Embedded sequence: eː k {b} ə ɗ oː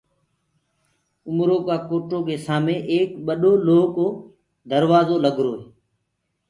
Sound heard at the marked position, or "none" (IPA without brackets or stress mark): ɓ